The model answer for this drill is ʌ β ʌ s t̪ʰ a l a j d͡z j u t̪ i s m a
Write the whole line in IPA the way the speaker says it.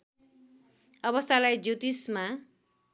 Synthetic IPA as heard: ʌ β ʌ s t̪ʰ a l a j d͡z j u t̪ i s m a